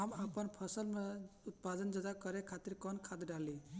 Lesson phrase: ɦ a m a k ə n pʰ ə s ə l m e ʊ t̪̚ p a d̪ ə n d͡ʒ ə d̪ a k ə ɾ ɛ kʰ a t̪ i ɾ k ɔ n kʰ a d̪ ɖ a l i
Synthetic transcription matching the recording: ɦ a m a p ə n pʰ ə s ə l m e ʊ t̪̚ p a d̪ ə n d͡ʒ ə d̪ a k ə ɾ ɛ kʰ a t̪ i ɾ k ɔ n kʰ a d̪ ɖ a l i